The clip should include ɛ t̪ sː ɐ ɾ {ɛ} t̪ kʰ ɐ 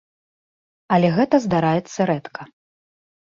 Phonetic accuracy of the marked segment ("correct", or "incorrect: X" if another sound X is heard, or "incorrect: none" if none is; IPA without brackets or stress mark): correct